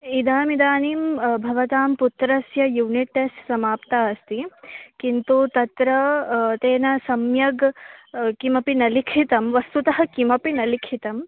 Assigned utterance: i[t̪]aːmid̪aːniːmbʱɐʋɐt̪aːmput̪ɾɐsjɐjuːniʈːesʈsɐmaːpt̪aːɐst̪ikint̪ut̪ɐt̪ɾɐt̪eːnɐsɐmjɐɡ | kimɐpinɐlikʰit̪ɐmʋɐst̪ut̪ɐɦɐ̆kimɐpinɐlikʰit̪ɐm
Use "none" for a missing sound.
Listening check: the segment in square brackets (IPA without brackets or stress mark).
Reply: d̪